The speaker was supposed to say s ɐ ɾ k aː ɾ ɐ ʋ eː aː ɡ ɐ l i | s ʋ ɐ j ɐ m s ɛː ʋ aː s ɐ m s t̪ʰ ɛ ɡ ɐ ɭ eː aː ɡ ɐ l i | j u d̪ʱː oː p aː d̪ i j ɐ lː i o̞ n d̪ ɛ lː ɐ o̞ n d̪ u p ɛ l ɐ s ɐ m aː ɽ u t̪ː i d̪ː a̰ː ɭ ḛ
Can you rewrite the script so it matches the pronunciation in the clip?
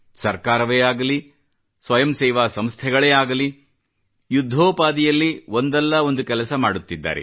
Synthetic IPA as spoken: s ɐ ɾ k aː ɾ ɐ ʋ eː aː ɡ ɐ l i | s ʋ ɐ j ɐ m s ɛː ʋ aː s ɐ m s t̪ʰ ɛ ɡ ɐ ɭ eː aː ɡ ɐ l i | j u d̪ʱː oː p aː d̪ i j ɐ lː i o̞ n d̪ ɛ lː ɐ o̞ n d̪ u k ɛ l ɐ s ɐ m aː ɽ u t̪ː i d̪ː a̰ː ɾ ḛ